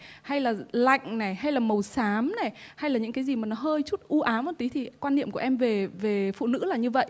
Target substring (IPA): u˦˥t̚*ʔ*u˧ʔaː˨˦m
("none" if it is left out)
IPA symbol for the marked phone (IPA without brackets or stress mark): ʔ